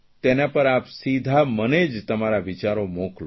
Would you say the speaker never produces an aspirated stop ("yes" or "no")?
yes